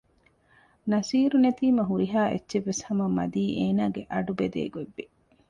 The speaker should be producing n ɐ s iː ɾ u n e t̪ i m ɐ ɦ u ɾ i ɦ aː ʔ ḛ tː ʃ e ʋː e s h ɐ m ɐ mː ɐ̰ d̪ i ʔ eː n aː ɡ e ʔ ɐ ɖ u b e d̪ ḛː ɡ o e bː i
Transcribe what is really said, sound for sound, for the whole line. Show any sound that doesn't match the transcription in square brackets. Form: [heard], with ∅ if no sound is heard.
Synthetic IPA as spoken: n ɐ s iː ɾ u n e t̪ [iː] m ɐ ɦ u ɾ i ɦ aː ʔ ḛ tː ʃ e ʋː e s h ɐ m ɐ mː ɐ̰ d̪ [iː] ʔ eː n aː ɡ e ʔ ɐ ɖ u b e d̪ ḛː ɡ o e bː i